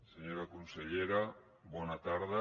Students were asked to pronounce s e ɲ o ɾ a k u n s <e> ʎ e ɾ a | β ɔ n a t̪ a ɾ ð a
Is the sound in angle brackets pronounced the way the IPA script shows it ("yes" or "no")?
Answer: yes